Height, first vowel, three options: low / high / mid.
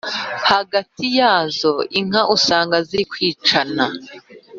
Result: low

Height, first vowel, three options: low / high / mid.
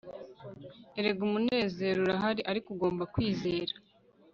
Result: mid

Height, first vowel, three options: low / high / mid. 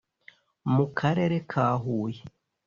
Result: high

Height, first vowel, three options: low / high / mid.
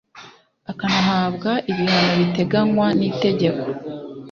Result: low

